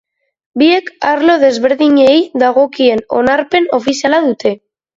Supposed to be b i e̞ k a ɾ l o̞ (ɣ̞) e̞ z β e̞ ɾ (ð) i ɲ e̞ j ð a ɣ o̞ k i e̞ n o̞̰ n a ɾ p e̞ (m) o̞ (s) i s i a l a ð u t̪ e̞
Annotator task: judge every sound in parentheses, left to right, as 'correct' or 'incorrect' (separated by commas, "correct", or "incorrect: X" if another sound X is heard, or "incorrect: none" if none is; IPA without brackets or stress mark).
incorrect: ð̞, correct, incorrect: n, incorrect: f